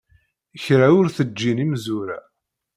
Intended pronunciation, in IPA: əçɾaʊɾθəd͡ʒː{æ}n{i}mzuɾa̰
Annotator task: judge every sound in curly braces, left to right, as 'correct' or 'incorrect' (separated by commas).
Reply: incorrect, correct